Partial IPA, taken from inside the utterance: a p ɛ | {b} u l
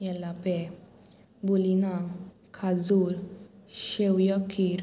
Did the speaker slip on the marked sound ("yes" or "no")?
no